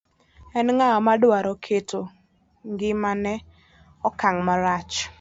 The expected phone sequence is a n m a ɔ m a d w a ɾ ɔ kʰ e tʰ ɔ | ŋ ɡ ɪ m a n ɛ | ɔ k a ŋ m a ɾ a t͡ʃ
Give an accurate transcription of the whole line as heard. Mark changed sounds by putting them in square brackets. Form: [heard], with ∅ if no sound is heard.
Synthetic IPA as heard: [ɛ] n [ŋ] a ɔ m a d w a ɾ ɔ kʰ e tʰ [o] | ŋ ɡ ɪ m a n ɛ | ɔ k a ŋ m a ɾ a t͡ʃ